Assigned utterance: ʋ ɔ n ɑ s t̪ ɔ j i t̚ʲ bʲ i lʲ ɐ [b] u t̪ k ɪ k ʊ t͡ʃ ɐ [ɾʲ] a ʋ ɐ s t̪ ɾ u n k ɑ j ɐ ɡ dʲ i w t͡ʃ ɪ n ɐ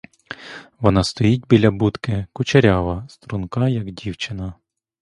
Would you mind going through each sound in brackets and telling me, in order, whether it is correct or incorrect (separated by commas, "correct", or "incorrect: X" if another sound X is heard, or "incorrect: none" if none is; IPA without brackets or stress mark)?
correct, correct